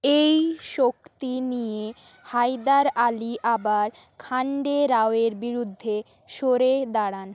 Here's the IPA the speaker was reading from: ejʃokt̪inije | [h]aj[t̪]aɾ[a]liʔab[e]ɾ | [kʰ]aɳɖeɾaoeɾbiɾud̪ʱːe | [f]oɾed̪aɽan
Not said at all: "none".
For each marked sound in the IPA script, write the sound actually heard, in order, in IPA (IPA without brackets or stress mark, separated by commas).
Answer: h, d̪, a, a, kʰ, ʃ